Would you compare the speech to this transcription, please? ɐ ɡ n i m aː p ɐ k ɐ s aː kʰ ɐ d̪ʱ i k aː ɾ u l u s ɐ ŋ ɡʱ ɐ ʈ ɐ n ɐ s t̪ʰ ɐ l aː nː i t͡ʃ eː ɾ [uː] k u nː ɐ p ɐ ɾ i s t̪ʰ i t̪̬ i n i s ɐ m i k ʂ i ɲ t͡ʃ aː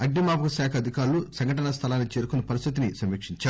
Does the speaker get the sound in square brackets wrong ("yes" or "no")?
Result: yes